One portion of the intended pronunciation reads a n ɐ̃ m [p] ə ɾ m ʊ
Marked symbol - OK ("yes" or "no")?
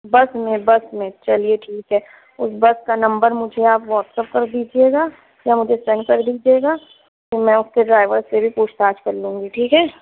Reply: no